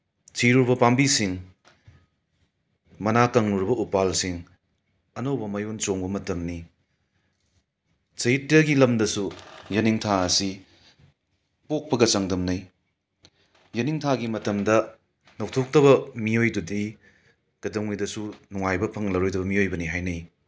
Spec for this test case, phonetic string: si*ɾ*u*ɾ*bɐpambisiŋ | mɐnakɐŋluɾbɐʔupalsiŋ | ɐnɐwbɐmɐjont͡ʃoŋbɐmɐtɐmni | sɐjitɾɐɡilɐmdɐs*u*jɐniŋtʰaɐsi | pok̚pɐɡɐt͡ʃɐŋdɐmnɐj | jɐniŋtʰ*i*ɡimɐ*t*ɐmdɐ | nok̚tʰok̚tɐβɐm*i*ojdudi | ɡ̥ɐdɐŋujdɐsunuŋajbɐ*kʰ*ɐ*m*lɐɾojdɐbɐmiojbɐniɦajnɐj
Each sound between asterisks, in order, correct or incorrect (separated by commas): correct, correct, correct, incorrect, correct, correct, incorrect, incorrect